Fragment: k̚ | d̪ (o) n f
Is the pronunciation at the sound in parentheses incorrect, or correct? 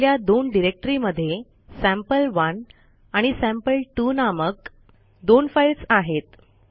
correct